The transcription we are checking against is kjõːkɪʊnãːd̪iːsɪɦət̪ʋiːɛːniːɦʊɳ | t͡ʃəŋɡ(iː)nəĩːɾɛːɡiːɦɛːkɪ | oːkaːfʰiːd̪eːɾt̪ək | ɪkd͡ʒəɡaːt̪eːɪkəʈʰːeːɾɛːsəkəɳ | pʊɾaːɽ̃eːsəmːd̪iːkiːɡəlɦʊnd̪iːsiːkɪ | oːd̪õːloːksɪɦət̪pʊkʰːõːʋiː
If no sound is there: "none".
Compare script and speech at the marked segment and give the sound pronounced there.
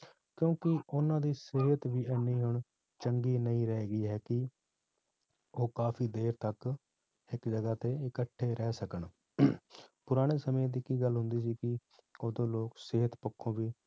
iː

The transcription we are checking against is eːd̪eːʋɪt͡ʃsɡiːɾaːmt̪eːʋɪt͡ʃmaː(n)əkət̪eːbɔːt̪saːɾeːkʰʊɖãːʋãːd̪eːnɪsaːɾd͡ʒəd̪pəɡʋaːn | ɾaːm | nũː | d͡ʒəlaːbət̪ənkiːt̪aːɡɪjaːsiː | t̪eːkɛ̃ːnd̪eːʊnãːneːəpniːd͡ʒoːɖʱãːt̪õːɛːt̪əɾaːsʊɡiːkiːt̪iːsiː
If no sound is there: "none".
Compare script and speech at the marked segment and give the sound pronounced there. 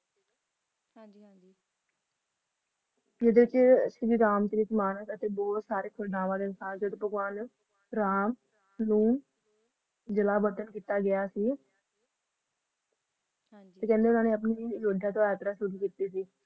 n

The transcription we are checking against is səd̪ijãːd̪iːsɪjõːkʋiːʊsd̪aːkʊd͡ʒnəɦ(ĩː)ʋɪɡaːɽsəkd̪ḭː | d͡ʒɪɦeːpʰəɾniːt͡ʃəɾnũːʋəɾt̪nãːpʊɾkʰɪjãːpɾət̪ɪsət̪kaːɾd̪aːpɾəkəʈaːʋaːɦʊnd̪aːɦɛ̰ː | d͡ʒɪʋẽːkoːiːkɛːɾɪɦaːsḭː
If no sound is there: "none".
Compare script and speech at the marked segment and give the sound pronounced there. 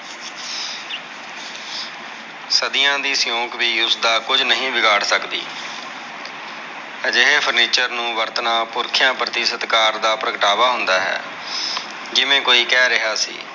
ĩː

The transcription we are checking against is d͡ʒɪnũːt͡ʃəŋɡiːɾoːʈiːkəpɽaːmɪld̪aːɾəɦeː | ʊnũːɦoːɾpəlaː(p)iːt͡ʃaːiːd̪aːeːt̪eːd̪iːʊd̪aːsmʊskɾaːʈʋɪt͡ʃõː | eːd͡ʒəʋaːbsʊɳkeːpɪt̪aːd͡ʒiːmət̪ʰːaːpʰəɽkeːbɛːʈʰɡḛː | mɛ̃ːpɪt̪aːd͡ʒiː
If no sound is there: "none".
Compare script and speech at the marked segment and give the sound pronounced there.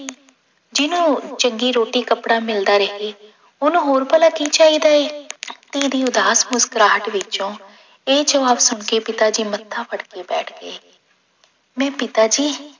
k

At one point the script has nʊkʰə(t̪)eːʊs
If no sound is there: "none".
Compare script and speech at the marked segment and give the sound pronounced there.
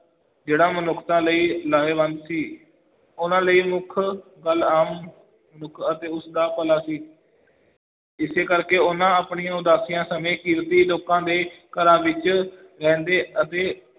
t̪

